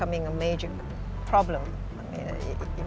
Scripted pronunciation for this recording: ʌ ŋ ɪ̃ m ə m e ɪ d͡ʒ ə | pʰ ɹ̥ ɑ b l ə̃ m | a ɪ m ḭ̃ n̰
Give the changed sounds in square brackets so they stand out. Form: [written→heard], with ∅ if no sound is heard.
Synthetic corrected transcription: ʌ [ŋ→m] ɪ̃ [m→ŋ] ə m e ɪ d͡ʒ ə | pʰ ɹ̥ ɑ b l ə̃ m | a ɪ m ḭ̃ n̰